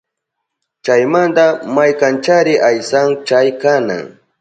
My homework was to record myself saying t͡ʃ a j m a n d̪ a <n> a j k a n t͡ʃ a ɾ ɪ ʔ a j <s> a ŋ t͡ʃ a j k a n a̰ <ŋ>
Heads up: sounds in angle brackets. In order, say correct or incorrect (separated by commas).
incorrect, correct, correct